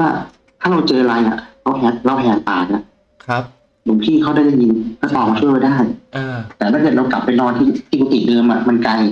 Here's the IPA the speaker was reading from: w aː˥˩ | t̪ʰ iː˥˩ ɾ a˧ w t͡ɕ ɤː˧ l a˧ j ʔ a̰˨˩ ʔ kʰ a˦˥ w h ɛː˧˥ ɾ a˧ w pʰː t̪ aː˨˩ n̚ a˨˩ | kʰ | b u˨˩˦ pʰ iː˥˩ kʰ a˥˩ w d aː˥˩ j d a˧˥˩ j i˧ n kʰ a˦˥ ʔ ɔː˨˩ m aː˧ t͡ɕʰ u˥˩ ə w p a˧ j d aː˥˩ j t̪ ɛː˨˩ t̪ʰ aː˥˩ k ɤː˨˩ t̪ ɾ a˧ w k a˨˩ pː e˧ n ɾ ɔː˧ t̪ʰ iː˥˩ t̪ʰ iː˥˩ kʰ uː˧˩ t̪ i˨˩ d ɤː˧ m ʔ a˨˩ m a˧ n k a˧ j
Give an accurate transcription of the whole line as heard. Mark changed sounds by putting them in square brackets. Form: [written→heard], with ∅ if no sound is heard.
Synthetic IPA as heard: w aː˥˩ | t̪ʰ [iː˥˩→aː˥˩] ɾ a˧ w t͡ɕ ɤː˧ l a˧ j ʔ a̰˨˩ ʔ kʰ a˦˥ w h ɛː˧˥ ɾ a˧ w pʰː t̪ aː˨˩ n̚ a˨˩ | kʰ | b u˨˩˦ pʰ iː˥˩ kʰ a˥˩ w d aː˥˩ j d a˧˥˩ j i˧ n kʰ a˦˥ ʔ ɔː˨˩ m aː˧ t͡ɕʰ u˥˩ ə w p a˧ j d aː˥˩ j t̪ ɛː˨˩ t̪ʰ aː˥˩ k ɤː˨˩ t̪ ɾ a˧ w k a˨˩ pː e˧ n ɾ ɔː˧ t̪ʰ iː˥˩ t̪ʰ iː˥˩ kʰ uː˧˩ t̪ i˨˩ d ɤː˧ m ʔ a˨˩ m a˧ n k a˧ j